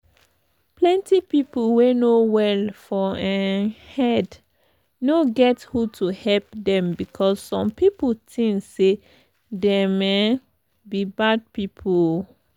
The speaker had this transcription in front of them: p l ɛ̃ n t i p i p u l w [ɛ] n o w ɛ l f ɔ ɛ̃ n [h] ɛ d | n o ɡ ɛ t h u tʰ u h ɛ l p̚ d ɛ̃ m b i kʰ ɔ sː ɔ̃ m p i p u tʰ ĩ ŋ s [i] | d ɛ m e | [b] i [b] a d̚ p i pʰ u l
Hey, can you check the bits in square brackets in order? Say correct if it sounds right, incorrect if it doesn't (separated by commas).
incorrect, correct, incorrect, correct, correct